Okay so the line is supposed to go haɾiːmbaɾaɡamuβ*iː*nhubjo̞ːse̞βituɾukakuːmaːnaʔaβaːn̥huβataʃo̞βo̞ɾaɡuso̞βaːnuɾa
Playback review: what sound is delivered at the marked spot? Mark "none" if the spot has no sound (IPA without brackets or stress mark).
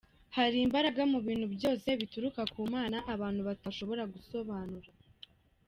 iː